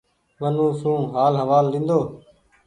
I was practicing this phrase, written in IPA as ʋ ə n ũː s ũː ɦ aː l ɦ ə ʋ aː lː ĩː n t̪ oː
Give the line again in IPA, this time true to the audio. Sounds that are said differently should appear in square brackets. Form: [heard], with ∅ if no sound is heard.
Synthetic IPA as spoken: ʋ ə n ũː s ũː ɦ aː l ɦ ə ʋ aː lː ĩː n [d̪] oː